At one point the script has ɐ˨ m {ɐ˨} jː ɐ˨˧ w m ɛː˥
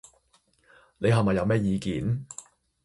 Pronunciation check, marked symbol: correct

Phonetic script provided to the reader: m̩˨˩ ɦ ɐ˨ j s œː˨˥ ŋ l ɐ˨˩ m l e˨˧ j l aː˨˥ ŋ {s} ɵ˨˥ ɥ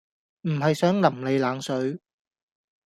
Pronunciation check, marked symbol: correct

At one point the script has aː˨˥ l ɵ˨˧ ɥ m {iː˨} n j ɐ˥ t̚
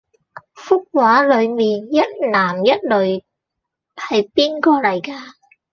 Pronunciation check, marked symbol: correct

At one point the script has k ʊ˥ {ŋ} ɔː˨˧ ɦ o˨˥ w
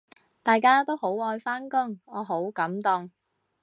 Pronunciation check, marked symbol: correct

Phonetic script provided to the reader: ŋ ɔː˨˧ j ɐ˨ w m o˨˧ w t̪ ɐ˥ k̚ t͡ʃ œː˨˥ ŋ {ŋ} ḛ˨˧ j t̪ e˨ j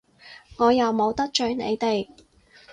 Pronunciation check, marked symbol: incorrect: n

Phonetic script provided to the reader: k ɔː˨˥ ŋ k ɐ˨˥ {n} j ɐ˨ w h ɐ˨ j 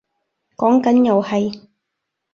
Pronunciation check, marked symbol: correct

